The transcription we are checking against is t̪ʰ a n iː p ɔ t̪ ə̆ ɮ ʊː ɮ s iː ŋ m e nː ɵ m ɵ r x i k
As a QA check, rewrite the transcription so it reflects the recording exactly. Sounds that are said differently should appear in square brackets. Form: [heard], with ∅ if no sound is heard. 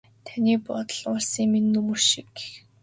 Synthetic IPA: t̪ʰ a n iː p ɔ t̪ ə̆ ɮ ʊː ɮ s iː ŋ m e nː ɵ m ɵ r [ʃ] i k

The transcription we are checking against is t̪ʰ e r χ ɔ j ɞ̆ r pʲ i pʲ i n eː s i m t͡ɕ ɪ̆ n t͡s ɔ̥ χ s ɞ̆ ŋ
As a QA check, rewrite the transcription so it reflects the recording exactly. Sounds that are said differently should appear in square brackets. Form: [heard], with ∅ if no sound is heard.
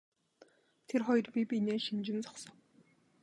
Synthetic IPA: t̪ʰ e r χ ɔ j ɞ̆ r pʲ i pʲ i n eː [ʃ] i m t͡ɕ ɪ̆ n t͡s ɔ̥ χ s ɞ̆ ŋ

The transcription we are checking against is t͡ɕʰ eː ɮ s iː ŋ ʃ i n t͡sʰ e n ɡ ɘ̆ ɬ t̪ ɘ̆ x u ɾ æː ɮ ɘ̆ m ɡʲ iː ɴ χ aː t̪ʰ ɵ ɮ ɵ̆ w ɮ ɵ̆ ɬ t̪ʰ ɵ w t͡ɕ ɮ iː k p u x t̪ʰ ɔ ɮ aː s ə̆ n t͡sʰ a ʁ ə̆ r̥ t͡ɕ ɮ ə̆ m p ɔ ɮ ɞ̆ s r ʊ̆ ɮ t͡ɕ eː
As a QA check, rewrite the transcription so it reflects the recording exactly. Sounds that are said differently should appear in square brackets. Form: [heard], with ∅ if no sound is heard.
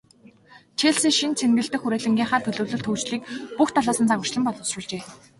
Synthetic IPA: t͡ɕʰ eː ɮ s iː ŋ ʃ i n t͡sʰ e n ɡ ɘ̆ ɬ t̪ ɘ̆ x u ɾ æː ɮ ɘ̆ [ŋ] ɡʲ iː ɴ χ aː t̪ʰ ɵ ɮ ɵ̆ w ɮ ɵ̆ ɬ t̪ʰ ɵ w t͡ɕ ɮ iː k p u x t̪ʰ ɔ ɮ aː s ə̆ n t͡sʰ a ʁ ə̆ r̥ t͡ɕ ɮ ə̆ m p ɔ ɮ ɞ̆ s r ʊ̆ ɮ t͡ɕ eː

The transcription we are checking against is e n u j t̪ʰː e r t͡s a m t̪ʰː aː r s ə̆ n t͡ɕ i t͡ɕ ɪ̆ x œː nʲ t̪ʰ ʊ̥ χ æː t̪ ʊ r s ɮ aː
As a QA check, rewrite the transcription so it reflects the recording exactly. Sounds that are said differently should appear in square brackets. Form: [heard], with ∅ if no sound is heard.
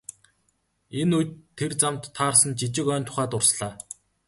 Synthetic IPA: e n u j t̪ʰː e r t͡s a m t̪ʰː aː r s ə̆ n t͡ɕ i t͡ɕ ɪ̆ [k] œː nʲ t̪ʰ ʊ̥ χ æː t̪ ʊ r s ɮ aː

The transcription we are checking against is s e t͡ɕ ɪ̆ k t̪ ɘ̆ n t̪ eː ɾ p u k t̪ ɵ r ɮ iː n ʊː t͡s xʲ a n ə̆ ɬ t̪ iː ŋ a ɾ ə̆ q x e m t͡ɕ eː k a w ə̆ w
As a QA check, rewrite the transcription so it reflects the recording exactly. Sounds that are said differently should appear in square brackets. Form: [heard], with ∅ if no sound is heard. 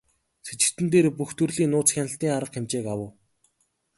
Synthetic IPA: s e t͡ɕ ɪ̆ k t̪ ɘ̆ n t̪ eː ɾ p u [x] t̪ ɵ r ɮ iː n ʊː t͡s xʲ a n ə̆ ɬ t̪ iː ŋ a ɾ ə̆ q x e m t͡ɕ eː k a w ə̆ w

